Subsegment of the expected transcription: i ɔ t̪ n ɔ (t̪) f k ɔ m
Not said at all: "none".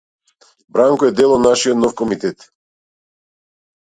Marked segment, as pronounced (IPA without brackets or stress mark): none